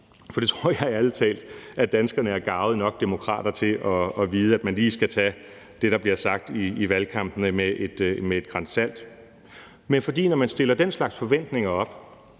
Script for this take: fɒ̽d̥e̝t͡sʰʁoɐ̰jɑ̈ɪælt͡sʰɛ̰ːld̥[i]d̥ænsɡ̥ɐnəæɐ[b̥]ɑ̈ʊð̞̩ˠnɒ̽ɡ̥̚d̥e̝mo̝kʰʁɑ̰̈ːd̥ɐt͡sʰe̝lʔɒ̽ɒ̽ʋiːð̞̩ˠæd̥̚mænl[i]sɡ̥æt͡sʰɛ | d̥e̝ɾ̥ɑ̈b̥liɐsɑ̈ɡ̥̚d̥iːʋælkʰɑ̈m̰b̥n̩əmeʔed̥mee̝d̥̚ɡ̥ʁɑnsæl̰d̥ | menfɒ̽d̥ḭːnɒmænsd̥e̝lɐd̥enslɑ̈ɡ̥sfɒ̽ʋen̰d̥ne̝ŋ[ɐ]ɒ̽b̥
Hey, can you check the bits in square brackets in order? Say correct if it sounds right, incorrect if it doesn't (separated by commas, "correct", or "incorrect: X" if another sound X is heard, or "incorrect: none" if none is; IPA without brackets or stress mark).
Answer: incorrect: æ, incorrect: ɡ̥, incorrect: iː, correct